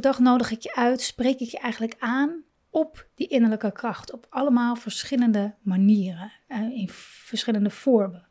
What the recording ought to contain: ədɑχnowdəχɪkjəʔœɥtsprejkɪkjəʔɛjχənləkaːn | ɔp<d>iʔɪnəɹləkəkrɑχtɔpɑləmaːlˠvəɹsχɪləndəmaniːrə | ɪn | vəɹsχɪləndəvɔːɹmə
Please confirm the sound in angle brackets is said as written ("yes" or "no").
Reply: yes